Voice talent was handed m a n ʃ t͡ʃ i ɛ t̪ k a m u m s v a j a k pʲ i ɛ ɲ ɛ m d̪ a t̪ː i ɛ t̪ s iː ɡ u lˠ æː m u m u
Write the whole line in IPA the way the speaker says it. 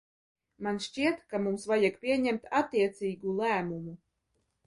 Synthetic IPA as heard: m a n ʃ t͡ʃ i ɛ t̪ k a m u m s v a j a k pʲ i ɛ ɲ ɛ m t̪ a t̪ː i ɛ t̪ s iː ɡ u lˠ æː m u m u